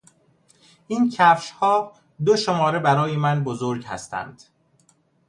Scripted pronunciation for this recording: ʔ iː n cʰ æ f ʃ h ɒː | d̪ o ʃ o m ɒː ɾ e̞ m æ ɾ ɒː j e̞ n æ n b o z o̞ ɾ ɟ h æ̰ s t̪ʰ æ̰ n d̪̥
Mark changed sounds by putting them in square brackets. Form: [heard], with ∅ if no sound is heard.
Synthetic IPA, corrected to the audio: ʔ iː n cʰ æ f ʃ h ɒː | d̪ o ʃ o m ɒː ɾ e̞ [b] æ ɾ ɒː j e̞ [m] æ n b o z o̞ ɾ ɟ h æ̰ s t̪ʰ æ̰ n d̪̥